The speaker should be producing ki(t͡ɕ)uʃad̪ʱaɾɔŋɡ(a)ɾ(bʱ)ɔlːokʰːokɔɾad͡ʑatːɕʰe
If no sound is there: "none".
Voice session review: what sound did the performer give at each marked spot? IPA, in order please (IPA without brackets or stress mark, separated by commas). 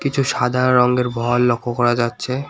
t͡ɕʰ, e, bʱ